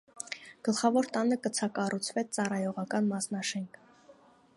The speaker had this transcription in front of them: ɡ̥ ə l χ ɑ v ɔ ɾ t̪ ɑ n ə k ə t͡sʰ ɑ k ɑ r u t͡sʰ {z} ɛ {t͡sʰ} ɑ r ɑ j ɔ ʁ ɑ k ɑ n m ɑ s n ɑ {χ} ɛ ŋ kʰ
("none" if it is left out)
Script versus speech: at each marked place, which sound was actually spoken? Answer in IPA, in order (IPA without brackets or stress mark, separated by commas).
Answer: v, t͡s, ʃ